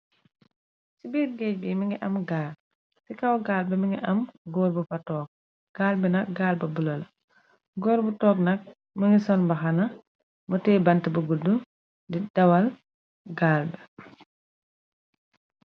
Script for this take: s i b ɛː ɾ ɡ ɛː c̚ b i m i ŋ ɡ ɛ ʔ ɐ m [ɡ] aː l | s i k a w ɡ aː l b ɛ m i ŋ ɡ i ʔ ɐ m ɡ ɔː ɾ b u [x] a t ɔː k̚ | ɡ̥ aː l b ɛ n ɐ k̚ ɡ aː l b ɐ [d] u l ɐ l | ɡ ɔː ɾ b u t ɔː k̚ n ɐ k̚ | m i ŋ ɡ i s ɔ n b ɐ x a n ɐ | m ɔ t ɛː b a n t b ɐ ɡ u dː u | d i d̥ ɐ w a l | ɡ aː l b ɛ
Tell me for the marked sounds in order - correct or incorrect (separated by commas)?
correct, incorrect, incorrect